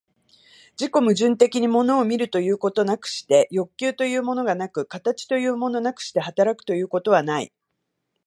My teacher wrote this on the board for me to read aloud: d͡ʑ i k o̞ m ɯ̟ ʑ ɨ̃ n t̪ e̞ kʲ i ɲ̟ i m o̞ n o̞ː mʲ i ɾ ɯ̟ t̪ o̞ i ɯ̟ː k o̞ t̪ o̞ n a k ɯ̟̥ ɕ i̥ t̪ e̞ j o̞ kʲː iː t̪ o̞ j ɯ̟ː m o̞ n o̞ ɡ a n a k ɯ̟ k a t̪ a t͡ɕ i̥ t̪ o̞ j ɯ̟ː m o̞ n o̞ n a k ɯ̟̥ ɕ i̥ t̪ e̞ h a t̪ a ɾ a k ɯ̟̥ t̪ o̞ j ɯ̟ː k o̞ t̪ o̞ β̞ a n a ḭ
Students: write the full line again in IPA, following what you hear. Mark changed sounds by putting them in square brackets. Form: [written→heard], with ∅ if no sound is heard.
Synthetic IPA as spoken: d͡ʑ i k o̞ m ɯ̟ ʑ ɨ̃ n t̪ e̞ kʲ i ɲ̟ i m o̞ n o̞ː mʲ i ɾ ɯ̟ t̪ o̞ [i→j] ɯ̟ː k o̞ t̪ o̞ n a k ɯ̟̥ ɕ i̥ t̪ e̞ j o̞ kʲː [iː→ɨː] t̪ o̞ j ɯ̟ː m o̞ n o̞ ɡ a n a k ɯ̟ k a t̪ a t͡ɕ i̥ t̪ o̞ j ɯ̟ː m o̞ n o̞ n a k ɯ̟̥ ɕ i̥ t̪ e̞ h a t̪ a ɾ a k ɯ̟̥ t̪ o̞ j ɯ̟ː k o̞ t̪ o̞ β̞ a n a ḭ